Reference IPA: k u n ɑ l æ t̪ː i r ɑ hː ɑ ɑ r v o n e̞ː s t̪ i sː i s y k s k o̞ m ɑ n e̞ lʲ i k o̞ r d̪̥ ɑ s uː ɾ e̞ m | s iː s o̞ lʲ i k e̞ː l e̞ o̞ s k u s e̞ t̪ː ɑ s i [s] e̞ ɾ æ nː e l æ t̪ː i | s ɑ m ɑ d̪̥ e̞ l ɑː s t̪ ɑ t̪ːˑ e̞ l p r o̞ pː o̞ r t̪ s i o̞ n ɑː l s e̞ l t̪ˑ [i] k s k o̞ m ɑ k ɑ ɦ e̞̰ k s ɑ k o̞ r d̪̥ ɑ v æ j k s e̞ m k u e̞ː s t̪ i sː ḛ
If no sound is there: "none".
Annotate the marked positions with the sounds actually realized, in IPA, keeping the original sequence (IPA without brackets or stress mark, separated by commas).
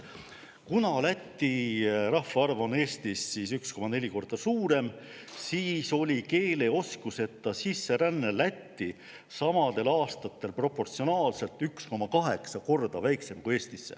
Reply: sː, y